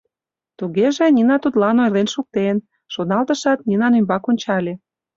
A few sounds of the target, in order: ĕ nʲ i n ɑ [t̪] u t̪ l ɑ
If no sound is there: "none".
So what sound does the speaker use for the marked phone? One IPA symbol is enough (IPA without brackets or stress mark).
t̪